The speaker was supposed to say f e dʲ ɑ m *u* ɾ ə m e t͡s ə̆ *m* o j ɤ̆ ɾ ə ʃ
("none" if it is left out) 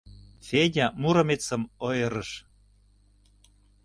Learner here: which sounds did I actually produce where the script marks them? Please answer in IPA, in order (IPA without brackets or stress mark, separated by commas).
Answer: u, m